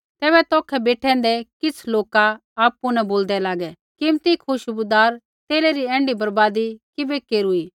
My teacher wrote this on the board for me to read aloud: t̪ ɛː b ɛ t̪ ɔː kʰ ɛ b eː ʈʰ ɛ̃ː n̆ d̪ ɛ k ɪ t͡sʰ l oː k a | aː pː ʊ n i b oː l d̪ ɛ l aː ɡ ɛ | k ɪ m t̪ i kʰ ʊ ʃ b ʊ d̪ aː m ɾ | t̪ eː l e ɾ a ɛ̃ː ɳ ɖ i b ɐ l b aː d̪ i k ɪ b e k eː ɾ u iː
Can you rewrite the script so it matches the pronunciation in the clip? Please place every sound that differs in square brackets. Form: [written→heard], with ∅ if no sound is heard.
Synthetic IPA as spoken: t̪ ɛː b ɛ t̪ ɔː kʰ ɛ b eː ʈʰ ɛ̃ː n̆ d̪ ɛ k ɪ t͡sʰ l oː k a | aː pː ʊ n [i→ɛ] b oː l d̪ ɛ l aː ɡ ɛ | k ɪ m t̪ i kʰ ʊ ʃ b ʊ d̪ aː [m→∅] ɾ | t̪ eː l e ɾ [a→i] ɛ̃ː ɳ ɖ i b ɐ [l→ɾ] b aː d̪ i k ɪ b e k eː ɾ u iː